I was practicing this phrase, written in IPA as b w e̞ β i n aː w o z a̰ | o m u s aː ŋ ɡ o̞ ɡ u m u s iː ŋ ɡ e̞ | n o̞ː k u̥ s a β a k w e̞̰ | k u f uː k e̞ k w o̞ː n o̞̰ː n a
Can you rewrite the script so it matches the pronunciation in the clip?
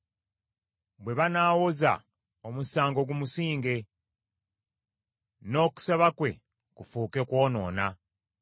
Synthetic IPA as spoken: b w e̞ β a n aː w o z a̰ | o m u s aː ŋ ɡ o̞ ɡ u m u s iː ŋ ɡ e̞ | n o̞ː k u̥ s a β a k w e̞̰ | k u f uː k e̞ k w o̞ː n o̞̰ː n a